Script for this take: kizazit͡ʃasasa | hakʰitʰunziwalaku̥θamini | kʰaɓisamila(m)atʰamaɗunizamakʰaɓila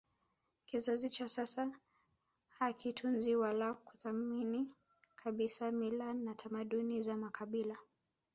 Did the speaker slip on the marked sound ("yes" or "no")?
yes